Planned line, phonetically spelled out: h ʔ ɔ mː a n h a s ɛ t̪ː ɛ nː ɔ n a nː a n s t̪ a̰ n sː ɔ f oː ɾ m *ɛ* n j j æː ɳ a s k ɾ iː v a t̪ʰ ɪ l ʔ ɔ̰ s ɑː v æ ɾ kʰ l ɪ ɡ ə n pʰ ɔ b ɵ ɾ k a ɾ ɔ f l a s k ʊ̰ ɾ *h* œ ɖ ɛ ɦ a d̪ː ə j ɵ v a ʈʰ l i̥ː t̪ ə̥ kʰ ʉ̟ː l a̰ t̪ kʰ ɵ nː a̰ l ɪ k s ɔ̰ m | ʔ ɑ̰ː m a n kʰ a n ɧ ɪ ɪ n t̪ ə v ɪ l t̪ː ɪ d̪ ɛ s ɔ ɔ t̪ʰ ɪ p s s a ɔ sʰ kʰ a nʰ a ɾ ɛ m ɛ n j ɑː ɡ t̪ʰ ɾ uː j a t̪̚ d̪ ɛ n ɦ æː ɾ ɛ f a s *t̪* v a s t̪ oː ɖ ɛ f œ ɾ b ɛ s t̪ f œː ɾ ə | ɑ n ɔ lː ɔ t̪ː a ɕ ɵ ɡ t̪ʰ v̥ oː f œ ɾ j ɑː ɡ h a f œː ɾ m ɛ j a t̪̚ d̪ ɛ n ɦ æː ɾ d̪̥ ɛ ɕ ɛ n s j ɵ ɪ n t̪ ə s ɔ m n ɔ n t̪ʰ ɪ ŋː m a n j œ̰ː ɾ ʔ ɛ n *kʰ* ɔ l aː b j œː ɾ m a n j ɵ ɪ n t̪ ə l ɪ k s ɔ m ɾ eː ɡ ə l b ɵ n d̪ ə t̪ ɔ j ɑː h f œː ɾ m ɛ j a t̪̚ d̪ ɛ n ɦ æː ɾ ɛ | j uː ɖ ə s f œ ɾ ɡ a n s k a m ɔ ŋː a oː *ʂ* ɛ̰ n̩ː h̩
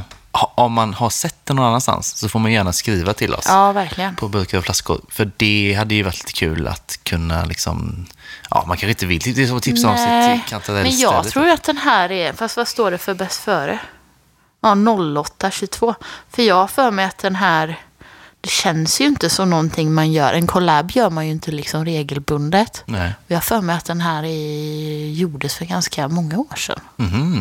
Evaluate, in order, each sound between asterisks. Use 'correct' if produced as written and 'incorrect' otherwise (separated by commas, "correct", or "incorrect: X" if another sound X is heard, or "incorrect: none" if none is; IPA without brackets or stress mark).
incorrect: a, incorrect: f, correct, correct, correct